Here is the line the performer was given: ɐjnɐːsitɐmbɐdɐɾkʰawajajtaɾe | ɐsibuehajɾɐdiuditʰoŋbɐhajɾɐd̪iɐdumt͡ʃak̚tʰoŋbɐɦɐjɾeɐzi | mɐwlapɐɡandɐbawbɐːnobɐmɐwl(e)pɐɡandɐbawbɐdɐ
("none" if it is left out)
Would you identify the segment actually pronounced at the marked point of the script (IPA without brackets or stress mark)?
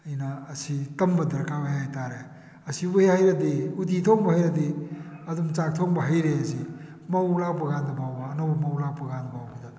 a